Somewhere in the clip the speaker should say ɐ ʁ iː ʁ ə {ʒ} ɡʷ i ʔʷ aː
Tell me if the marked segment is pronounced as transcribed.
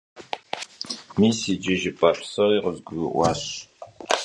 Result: no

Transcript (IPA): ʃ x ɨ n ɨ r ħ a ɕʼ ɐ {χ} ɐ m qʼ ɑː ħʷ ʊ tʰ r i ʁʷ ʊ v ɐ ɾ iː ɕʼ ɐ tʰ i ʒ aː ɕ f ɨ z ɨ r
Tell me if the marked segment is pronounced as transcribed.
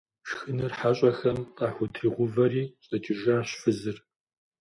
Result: no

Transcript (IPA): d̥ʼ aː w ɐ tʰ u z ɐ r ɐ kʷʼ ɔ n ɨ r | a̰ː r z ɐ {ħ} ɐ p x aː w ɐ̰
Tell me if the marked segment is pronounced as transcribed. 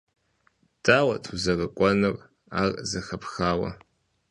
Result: no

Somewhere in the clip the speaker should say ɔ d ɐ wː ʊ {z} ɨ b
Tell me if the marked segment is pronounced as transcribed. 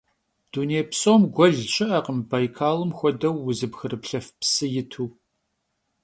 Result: yes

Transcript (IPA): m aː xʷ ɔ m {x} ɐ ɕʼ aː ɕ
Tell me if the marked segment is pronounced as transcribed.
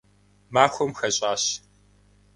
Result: yes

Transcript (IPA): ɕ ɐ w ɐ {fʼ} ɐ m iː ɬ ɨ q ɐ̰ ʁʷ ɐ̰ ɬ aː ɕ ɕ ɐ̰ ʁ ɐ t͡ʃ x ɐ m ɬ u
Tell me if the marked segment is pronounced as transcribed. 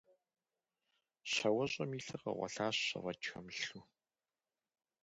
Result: no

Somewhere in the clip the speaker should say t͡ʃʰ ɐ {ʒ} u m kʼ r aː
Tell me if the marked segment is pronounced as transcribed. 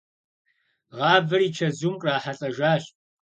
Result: no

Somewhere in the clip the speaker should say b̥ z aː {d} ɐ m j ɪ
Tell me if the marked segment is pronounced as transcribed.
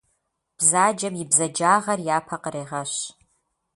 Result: no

